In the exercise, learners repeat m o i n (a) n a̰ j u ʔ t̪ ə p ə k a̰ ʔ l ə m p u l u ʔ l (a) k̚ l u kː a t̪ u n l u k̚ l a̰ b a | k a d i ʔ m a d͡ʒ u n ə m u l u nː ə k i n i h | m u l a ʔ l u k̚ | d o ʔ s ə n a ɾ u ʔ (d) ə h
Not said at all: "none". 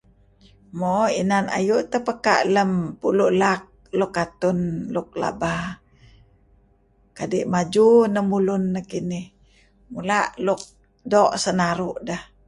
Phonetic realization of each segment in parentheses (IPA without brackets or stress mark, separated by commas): a, a, d